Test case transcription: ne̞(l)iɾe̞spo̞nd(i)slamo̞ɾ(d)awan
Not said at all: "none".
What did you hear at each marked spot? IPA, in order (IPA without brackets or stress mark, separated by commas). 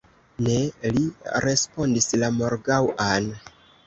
l, i, ɡ